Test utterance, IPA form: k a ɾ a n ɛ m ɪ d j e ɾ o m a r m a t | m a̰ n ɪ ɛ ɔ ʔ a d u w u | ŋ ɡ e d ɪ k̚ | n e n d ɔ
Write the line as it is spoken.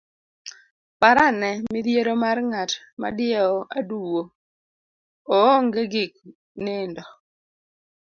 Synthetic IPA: p a ɾ a n ɛ m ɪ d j e ɾ o m a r ŋ a t | m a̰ d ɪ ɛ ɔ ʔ a d u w o | ŋ ɡ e ɡ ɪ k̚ | n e n d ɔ